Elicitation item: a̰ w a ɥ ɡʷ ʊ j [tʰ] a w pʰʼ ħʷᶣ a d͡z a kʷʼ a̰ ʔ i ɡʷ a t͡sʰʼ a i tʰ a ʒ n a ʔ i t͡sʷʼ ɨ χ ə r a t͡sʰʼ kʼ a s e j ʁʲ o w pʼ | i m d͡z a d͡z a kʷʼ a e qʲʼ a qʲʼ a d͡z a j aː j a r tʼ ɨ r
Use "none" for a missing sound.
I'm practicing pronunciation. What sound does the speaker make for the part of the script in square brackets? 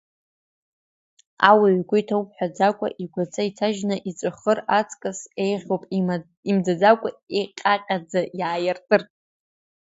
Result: tʰ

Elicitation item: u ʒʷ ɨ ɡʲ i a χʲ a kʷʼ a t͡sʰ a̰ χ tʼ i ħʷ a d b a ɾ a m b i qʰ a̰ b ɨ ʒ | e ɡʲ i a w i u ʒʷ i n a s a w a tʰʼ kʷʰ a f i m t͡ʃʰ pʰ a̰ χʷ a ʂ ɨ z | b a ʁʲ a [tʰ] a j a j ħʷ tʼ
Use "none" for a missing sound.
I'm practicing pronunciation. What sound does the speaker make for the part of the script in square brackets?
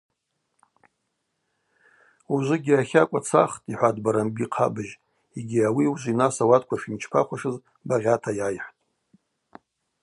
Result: tʰ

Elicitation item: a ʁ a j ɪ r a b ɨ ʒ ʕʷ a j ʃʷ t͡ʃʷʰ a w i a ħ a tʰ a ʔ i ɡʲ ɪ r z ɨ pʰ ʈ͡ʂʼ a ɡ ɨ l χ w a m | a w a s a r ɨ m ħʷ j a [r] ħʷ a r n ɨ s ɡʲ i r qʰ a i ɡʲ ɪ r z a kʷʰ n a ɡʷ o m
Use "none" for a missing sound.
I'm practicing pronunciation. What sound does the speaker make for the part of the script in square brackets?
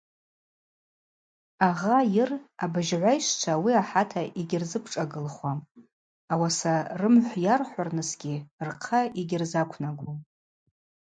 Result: r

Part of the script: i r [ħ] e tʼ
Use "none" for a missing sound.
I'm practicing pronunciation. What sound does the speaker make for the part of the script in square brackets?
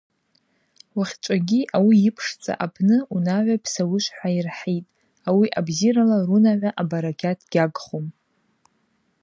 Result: ħ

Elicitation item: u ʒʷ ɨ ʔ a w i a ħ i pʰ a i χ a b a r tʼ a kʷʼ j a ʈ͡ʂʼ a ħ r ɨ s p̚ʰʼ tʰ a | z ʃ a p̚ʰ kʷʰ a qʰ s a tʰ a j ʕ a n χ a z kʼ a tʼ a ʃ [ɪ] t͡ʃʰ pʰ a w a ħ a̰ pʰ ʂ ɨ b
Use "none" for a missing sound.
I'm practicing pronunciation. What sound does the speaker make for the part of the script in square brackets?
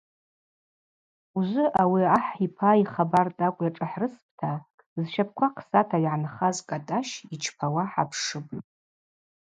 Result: i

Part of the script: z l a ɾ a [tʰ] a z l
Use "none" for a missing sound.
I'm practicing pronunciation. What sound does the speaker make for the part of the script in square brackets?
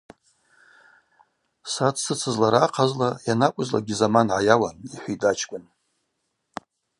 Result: qʰ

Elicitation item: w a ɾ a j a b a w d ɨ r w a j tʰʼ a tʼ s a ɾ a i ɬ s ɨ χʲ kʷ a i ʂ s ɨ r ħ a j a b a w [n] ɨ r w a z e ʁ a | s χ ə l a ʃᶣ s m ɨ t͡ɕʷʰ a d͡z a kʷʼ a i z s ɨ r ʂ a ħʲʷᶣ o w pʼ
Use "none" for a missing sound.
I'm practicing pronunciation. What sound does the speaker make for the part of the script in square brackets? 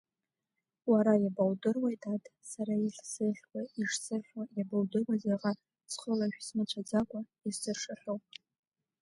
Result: d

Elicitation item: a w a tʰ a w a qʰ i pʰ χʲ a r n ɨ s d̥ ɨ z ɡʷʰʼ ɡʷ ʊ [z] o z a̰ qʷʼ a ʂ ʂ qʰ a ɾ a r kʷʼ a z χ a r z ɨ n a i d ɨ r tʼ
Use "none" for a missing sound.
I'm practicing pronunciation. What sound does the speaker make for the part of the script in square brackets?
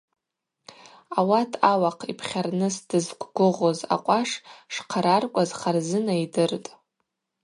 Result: ʁ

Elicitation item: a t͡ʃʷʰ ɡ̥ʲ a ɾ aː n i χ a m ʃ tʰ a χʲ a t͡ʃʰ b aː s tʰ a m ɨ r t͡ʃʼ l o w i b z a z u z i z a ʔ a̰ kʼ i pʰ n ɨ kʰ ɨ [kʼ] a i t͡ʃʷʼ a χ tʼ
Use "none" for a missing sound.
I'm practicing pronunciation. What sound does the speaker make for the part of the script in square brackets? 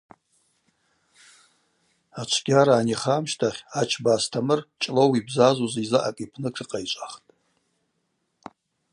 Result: qʼ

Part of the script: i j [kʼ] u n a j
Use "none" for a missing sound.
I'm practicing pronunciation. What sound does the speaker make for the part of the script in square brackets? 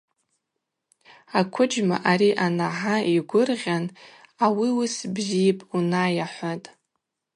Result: pʼ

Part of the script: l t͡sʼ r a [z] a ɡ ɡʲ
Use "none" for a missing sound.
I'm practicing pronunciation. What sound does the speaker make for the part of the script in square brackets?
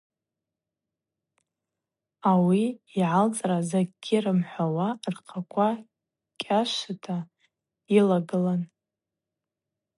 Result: z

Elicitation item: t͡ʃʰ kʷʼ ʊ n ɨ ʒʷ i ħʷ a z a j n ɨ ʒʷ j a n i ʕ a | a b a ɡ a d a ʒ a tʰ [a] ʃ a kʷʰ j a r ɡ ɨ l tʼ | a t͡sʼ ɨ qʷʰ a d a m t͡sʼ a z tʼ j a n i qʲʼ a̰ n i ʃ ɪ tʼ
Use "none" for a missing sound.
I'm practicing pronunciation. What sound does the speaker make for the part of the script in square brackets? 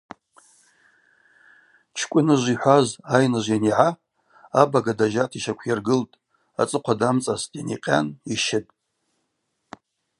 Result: i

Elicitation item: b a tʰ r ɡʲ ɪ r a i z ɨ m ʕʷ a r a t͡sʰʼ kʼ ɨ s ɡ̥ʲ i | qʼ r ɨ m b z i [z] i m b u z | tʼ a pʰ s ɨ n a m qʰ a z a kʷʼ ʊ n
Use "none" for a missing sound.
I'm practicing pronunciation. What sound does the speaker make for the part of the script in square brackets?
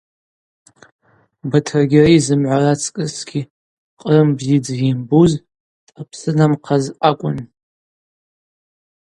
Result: d͡z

